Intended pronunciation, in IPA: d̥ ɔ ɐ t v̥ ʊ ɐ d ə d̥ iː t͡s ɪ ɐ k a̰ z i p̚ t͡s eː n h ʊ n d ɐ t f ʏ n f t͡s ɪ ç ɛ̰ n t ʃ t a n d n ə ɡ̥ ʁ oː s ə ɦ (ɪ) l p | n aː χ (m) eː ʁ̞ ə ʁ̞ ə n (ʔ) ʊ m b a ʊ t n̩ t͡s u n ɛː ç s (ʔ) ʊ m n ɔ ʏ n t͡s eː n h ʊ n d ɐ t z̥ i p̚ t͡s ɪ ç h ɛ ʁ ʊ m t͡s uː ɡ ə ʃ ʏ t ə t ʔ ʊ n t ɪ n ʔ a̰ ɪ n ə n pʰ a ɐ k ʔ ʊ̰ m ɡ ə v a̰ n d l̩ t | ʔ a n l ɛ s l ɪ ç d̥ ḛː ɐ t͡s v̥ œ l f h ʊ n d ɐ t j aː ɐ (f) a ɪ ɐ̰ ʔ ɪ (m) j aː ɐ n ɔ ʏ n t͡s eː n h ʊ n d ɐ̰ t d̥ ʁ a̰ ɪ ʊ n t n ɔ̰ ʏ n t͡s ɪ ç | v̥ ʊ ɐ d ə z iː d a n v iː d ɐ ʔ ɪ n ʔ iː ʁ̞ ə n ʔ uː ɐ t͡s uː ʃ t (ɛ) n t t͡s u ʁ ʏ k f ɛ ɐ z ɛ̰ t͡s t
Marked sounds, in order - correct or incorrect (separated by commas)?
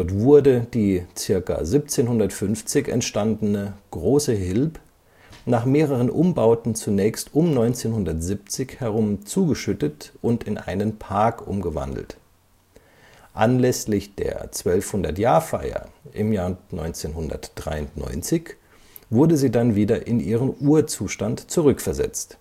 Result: correct, correct, correct, incorrect, correct, correct, incorrect